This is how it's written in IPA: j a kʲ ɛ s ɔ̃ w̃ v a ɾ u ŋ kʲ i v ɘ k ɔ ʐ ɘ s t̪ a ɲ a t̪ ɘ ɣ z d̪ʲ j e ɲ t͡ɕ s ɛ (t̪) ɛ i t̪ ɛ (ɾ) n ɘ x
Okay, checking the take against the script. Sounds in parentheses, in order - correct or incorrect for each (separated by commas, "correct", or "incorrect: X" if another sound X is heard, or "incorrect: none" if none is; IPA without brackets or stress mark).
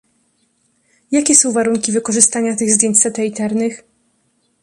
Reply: correct, correct